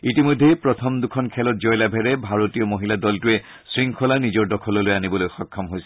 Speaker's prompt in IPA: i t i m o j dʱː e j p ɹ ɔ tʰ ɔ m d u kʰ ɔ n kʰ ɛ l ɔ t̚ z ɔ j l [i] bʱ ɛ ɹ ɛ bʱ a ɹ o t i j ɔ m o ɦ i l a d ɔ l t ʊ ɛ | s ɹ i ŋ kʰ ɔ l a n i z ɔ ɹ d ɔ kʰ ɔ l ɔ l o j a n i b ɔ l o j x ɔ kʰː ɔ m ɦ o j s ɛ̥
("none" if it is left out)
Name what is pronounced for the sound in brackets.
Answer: a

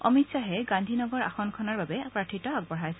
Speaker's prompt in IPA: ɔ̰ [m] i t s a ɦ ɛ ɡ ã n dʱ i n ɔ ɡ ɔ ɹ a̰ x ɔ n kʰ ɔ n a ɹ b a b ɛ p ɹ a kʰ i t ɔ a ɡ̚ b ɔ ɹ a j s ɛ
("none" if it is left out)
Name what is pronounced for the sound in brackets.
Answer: m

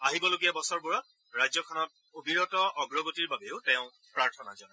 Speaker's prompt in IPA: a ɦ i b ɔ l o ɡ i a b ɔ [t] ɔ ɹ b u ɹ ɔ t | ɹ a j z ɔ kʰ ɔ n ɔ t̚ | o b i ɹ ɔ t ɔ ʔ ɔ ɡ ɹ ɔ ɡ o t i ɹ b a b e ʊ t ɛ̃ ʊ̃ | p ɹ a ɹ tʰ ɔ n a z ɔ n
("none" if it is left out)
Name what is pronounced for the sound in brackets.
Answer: s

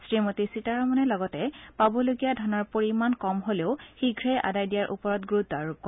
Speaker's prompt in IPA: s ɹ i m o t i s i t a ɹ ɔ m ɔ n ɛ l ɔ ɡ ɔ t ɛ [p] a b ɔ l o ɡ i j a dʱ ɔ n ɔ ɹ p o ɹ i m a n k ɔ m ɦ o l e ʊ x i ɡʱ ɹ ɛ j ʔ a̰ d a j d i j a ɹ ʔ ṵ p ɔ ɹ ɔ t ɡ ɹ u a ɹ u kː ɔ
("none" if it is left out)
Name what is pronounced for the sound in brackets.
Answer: p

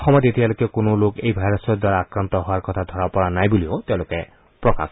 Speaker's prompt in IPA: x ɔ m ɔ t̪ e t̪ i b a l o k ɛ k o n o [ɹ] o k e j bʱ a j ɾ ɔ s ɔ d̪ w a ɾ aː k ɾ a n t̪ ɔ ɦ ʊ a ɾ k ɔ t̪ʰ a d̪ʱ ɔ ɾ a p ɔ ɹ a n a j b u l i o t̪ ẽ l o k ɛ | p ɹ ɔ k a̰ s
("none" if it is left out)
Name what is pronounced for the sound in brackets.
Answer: l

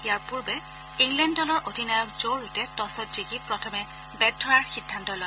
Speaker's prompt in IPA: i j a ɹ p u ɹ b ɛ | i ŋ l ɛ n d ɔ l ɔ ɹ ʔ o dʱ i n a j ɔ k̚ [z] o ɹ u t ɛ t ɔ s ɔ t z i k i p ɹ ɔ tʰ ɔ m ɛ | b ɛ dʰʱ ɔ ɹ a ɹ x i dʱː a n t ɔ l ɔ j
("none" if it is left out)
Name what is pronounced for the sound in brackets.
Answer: z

